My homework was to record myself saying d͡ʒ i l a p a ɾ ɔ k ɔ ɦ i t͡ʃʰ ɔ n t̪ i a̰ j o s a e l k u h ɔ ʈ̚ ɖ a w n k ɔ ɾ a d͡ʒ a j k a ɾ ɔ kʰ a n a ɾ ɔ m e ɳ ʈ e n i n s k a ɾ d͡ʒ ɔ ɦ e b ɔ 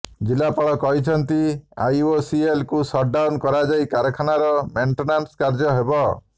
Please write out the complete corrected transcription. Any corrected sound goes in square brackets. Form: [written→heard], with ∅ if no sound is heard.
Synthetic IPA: d͡ʒ i l a p a [ɾ→ɭ] ɔ k ɔ ɦ i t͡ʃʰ ɔ n t̪ i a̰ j o s [a→i] e l k u [h→s] ɔ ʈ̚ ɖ a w n k ɔ ɾ a d͡ʒ a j k a ɾ ɔ kʰ a n a ɾ ɔ m e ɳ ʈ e n [i→a] n s k a ɾ d͡ʒ ɔ ɦ e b ɔ